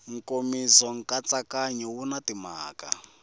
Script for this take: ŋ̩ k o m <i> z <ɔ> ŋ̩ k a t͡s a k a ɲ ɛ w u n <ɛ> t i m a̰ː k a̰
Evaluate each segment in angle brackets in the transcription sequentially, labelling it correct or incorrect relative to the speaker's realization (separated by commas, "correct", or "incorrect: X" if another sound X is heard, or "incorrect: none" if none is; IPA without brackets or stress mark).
correct, correct, incorrect: a